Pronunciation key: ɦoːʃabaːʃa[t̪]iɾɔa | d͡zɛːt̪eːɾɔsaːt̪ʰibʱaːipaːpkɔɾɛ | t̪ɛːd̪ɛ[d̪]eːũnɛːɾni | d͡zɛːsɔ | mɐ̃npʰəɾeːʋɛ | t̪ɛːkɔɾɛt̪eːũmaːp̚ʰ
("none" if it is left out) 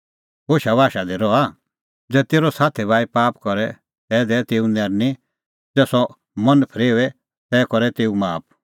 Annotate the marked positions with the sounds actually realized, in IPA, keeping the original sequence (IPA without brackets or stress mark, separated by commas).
d̪, t̪